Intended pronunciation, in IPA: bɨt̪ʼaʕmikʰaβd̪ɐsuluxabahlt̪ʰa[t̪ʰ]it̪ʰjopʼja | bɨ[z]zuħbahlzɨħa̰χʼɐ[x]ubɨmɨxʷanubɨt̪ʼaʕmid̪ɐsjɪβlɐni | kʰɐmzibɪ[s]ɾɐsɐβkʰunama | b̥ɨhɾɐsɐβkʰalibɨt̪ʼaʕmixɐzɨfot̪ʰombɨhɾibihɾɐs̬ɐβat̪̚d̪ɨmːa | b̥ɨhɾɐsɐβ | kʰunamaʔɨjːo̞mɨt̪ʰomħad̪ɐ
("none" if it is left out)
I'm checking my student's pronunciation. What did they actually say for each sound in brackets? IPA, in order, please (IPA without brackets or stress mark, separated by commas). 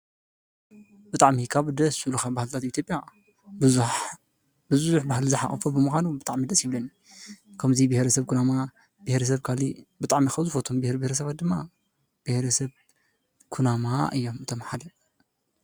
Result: t̪, z, f, h